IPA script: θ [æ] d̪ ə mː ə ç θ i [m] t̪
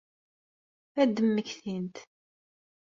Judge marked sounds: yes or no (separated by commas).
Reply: yes, no